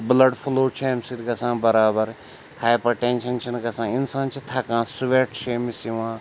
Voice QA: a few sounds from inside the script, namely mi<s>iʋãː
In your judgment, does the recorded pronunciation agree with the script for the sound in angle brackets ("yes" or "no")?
yes